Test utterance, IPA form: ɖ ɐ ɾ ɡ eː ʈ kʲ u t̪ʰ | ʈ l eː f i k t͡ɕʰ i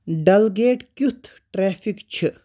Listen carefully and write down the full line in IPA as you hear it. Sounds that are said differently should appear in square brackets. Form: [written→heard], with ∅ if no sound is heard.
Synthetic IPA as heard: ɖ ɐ [ɾ→l] ɡ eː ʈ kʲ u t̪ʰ | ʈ [l→ɾ] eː f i k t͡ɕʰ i